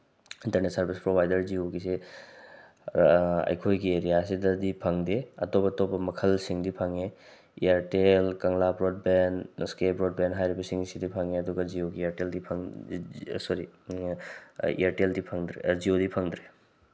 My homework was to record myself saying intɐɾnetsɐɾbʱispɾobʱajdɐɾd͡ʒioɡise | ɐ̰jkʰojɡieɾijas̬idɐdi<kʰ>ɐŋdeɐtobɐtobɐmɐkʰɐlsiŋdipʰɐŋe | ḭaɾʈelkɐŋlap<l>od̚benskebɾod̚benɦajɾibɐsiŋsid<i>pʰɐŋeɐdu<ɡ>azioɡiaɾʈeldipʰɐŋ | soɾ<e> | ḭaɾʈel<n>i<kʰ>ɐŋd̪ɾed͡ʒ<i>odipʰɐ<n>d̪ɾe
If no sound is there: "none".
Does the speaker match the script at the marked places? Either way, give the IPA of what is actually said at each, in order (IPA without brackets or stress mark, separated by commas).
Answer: pʰ, ɾ, i, ɡ, i, d, pʰ, i, ŋ